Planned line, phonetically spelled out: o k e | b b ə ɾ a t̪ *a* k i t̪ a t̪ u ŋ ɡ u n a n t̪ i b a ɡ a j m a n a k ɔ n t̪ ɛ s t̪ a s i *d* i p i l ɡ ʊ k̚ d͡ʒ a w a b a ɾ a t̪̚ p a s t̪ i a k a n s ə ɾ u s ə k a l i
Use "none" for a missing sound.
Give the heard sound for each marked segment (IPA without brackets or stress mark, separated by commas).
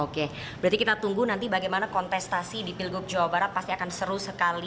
i, d